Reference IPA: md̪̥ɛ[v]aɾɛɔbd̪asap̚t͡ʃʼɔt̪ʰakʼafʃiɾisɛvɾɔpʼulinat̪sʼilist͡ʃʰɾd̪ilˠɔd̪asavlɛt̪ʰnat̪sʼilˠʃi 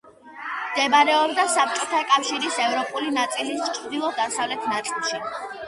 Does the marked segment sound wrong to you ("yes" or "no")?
yes